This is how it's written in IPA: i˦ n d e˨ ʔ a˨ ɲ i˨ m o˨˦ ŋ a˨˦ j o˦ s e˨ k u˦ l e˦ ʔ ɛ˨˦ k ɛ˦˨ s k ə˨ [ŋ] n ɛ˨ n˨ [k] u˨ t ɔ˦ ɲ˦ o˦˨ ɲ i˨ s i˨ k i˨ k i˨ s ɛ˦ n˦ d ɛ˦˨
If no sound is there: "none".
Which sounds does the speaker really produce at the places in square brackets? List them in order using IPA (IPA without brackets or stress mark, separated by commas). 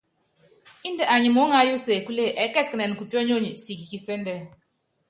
none, k